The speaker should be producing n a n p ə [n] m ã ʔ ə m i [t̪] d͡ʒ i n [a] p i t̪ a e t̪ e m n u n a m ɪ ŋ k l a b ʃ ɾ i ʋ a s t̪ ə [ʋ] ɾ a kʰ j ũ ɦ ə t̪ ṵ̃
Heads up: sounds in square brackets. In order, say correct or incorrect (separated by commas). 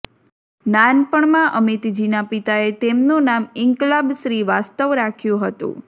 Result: incorrect, correct, correct, correct